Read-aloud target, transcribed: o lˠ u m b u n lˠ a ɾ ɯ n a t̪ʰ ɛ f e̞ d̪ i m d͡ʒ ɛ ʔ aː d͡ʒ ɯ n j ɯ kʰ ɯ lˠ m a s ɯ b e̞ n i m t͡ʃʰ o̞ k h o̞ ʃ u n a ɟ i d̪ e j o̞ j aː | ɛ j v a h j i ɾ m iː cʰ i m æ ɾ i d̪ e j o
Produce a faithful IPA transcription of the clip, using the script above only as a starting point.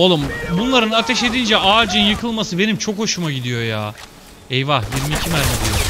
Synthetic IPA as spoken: o lˠ u m b u n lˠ a ɾ ɯ n a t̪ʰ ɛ ʃ e̞ d̪ i n d͡ʒ ɛ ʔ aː d͡ʒ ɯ n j ɯ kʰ ɯ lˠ m a s ɯ b e̞ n i m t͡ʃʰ o̞ k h o̞ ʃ u m a ɟ i d̪ i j o̞ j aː | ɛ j v a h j i ɾ m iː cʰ i m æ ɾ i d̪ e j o